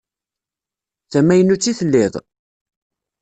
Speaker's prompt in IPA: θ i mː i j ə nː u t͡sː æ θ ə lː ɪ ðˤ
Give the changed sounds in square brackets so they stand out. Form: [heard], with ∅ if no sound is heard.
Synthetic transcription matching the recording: θ [æ] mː [æ] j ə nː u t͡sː [i] θ ə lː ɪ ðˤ